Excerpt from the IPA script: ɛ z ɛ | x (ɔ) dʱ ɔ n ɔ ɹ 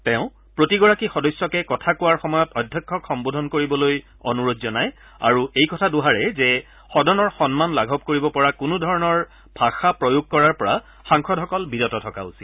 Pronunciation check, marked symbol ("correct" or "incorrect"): correct